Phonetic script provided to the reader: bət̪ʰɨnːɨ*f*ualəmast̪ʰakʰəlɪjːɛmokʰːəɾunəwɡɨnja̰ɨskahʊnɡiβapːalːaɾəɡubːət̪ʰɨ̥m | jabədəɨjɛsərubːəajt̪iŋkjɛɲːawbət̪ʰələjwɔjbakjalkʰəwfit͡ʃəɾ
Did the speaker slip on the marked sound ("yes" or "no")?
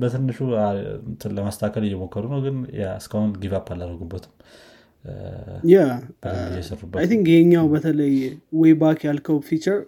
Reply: yes